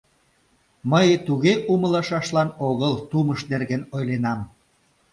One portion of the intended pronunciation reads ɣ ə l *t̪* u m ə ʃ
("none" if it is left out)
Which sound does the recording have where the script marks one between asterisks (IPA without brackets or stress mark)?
t̪